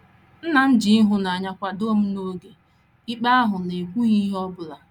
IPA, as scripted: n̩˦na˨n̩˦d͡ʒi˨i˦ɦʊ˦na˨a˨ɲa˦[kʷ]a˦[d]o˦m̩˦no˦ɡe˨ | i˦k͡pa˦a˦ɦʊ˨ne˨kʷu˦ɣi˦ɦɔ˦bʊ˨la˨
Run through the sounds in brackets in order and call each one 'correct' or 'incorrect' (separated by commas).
correct, correct